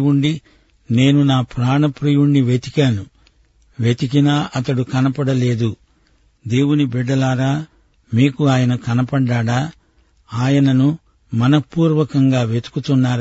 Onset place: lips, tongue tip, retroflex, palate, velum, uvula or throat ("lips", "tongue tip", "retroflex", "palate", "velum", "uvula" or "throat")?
retroflex